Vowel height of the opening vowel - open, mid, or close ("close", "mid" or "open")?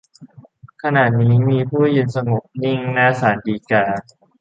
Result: open